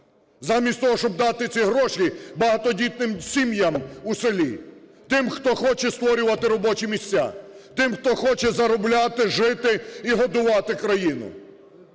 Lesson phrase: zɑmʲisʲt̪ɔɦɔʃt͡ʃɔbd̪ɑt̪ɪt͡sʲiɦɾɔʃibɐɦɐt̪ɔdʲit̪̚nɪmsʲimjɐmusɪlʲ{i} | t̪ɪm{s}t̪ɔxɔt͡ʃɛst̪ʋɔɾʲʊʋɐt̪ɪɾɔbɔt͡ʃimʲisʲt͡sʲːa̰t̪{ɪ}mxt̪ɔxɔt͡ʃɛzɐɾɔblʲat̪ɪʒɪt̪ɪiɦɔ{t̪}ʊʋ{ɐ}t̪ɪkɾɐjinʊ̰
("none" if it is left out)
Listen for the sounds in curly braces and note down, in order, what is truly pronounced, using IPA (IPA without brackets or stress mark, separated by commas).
i, x, ɪ, d̪, ɑ